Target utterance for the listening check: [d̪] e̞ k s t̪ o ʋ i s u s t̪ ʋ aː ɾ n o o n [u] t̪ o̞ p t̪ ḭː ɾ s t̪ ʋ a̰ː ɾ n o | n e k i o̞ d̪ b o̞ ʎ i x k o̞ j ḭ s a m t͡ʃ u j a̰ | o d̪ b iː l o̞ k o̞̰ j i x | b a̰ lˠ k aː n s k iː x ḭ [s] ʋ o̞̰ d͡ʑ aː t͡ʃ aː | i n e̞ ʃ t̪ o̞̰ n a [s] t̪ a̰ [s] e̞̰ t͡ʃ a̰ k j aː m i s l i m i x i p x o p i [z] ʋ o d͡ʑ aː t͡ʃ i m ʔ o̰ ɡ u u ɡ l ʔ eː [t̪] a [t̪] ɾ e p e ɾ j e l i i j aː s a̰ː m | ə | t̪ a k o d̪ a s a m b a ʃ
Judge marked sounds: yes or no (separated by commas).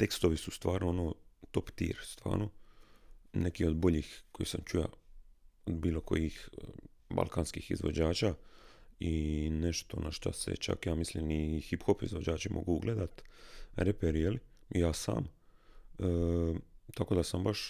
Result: no, no, no, no, yes, yes, no, yes